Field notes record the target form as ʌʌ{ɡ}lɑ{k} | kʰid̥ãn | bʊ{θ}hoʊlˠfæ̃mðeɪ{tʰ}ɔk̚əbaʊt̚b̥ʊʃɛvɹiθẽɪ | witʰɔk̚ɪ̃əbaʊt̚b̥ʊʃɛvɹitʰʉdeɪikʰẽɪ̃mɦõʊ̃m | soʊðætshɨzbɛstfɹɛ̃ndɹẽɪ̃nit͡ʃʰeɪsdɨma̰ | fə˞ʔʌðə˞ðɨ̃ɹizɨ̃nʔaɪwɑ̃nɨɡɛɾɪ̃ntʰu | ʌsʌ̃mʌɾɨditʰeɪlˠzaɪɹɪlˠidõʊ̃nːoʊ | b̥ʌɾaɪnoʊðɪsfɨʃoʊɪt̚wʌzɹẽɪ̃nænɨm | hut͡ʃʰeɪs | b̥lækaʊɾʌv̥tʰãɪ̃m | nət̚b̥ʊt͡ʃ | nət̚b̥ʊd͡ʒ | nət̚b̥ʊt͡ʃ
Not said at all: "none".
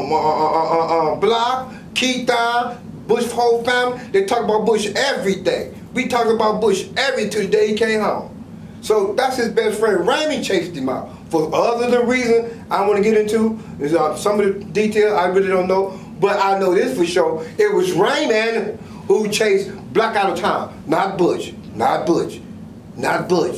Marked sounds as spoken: b, k, ʃ, tʰ

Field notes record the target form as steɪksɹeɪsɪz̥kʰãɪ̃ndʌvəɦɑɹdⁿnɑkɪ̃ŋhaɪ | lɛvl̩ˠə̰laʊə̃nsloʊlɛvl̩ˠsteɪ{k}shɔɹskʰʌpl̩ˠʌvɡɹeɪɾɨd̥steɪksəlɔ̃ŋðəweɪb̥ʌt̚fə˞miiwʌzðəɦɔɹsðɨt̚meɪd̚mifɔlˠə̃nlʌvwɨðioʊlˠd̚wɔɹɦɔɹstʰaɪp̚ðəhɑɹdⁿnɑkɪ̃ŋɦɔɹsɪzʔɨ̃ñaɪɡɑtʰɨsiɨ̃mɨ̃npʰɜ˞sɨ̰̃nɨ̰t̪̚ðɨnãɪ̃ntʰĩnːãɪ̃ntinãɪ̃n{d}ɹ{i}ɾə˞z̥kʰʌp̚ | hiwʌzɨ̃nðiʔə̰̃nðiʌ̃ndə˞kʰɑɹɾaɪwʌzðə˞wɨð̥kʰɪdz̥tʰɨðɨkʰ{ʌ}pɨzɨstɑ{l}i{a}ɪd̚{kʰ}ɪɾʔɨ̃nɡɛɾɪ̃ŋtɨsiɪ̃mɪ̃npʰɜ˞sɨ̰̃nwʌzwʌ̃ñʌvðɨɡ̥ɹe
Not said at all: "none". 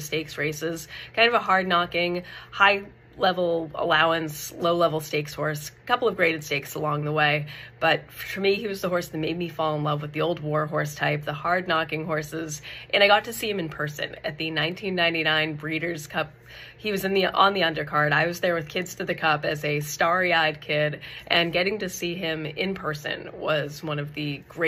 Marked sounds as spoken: k, b, i, ʌ, ɹ, a, kʰ

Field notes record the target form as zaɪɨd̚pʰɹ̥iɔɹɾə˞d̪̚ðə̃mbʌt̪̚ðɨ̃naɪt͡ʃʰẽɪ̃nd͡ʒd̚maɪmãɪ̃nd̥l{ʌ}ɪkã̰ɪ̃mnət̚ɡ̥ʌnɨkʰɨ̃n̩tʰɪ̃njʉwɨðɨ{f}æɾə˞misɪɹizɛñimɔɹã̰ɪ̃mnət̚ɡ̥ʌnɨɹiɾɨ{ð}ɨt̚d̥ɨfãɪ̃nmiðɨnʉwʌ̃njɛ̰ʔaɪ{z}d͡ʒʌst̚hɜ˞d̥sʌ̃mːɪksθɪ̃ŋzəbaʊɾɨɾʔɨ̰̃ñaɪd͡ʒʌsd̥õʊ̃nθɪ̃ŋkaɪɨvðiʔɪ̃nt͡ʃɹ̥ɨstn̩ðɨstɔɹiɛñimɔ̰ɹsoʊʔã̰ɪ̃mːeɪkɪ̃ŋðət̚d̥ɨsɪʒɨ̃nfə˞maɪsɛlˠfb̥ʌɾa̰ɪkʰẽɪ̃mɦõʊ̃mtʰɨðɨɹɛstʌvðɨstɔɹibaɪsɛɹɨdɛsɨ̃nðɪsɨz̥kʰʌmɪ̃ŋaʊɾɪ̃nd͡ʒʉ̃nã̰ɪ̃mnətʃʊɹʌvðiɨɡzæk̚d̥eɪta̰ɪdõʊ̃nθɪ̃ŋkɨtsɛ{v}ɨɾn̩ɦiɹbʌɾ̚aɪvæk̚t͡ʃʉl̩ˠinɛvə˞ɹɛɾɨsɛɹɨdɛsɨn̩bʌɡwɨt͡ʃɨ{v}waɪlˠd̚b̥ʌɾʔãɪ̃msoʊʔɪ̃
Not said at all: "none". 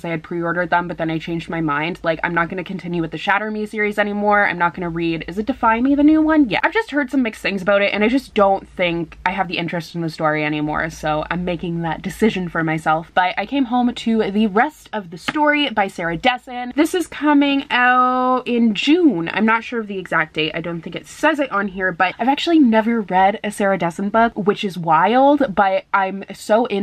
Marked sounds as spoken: a, ʃ, z, v, z, z

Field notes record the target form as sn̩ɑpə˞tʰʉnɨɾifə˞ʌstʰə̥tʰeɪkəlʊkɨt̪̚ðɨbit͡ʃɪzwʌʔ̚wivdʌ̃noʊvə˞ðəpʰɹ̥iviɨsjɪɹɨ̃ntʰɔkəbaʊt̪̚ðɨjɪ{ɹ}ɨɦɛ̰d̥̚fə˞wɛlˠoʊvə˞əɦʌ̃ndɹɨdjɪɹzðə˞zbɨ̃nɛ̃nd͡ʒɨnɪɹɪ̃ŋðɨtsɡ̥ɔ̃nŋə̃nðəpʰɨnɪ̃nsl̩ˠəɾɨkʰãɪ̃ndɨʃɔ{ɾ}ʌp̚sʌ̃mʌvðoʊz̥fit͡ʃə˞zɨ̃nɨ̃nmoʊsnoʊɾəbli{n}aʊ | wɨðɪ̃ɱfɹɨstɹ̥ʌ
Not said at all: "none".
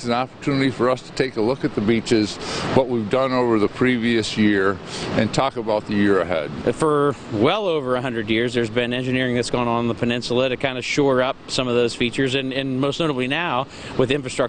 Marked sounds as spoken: ɹ, ɹ, n

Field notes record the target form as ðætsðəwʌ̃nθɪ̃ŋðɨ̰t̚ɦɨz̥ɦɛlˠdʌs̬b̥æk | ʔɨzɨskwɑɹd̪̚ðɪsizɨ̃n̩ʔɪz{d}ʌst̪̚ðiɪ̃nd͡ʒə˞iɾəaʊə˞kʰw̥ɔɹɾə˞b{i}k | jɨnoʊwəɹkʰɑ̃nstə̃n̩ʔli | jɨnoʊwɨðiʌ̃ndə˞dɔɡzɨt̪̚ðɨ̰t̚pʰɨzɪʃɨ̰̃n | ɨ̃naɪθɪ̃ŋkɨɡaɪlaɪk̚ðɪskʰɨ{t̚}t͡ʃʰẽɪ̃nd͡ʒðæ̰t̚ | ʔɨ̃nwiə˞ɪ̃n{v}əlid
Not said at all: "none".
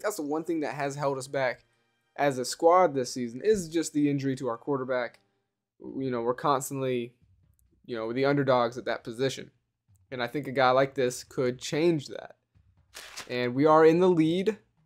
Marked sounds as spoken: d͡ʒ, æ, d̚, ð

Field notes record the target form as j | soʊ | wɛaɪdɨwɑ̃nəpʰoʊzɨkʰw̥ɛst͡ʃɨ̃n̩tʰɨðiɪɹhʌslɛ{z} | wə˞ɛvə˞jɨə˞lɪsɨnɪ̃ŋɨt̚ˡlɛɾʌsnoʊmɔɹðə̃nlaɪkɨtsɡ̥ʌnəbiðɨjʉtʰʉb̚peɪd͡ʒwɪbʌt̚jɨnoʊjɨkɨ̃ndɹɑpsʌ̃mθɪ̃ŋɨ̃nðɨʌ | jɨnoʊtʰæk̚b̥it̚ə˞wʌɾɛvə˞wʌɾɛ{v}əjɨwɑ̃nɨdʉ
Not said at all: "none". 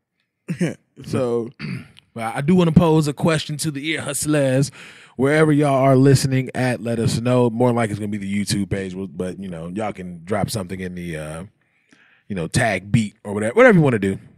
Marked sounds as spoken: z, v

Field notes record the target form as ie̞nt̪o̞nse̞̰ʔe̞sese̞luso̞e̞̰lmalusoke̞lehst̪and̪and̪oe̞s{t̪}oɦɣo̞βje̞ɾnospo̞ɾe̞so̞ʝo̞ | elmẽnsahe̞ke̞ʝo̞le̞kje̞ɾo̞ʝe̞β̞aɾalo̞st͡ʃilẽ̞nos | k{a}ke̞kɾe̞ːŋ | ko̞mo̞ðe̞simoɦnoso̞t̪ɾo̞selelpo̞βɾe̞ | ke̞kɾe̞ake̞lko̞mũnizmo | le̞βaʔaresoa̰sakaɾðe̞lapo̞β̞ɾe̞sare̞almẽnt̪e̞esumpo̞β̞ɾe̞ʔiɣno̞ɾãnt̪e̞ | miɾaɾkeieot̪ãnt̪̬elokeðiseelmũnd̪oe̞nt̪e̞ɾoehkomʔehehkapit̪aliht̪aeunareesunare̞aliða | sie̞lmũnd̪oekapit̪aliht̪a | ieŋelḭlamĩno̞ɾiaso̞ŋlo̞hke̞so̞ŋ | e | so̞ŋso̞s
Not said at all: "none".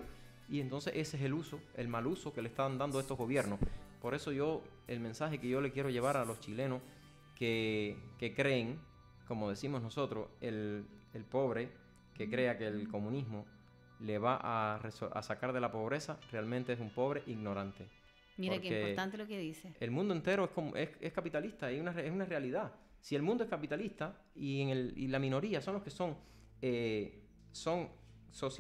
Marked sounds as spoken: t̪, e

